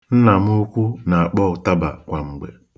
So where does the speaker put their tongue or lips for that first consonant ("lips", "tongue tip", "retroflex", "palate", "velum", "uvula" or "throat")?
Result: tongue tip